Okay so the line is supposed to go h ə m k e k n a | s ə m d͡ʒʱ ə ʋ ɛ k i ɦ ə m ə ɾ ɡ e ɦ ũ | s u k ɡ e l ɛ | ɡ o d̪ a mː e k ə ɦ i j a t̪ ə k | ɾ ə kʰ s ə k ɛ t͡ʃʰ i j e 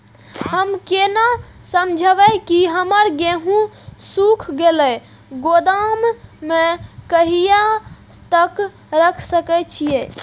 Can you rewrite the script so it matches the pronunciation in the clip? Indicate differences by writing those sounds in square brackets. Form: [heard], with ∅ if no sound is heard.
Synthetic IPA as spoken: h ə m k e [∅] n a | s ə m d͡ʒʱ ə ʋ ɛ k i ɦ ə m ə ɾ ɡ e ɦ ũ | s u [kʰ] ɡ e l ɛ | ɡ o d̪ a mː e k ə ɦ i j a t̪ ə k | ɾ ə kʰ s ə k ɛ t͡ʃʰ i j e